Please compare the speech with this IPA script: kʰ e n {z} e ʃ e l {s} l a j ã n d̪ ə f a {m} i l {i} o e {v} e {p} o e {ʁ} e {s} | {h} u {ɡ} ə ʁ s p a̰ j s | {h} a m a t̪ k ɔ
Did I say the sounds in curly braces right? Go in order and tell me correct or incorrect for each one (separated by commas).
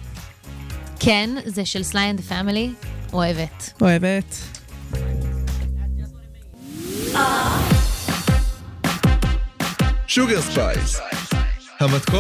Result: correct, correct, correct, correct, correct, incorrect, incorrect, incorrect, incorrect, correct, correct